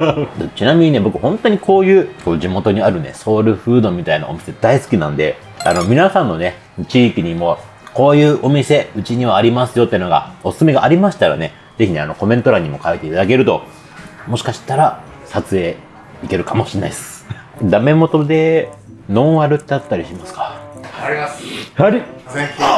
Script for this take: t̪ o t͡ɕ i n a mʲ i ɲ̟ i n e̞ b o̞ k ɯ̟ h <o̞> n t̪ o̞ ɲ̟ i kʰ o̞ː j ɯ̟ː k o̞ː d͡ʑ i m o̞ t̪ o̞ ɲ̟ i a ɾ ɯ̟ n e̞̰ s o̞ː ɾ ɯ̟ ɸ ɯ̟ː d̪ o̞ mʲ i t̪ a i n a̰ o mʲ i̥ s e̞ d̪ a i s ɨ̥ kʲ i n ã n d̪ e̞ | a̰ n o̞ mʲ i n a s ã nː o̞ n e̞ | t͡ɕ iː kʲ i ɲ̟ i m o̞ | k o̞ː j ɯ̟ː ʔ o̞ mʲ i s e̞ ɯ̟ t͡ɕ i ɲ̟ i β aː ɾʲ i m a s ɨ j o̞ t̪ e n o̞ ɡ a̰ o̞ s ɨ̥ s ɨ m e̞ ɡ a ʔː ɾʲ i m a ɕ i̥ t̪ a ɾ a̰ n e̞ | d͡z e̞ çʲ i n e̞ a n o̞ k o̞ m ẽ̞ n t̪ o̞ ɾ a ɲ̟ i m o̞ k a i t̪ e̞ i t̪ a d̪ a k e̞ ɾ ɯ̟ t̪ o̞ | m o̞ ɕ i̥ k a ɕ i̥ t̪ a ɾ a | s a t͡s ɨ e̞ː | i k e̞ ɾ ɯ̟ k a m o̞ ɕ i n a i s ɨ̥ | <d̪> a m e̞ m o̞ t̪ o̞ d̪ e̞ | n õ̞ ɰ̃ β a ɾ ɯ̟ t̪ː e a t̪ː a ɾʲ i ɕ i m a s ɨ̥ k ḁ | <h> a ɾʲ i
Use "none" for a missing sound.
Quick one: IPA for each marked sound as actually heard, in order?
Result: õ̞, d̪, h

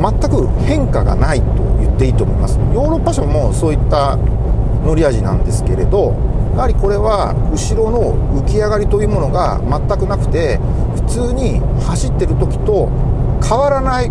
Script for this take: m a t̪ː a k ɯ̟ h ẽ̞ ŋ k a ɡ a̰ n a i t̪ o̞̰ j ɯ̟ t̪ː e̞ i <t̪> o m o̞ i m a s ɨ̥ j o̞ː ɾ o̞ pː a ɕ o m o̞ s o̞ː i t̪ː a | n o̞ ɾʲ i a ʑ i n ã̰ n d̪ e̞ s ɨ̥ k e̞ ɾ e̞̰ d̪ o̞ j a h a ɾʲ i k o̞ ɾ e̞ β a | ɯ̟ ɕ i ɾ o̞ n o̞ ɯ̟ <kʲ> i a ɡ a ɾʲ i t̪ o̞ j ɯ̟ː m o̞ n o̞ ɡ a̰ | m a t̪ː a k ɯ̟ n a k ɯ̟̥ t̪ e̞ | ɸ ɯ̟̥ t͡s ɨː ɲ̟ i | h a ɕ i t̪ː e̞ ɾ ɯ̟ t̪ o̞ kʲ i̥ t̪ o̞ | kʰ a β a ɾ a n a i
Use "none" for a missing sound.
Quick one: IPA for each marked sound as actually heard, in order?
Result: t̪, kʲ

